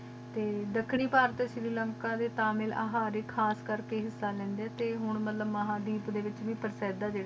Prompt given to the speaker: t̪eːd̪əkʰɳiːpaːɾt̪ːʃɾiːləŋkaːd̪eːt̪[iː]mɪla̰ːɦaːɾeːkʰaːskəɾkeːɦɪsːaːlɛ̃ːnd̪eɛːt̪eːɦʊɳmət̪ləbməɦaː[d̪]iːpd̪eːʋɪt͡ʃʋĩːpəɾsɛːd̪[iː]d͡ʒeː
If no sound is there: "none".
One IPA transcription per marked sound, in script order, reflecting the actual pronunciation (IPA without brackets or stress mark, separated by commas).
aː, d̪, aː